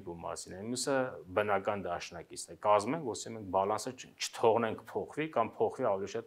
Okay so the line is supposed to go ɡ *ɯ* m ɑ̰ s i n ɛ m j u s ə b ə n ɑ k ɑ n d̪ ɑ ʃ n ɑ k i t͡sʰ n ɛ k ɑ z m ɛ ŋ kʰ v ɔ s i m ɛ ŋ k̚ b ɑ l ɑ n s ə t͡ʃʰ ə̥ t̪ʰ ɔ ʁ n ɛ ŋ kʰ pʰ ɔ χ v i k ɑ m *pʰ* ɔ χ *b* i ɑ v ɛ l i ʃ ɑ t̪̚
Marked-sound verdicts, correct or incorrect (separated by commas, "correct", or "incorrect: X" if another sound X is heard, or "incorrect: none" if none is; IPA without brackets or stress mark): incorrect: u, correct, incorrect: v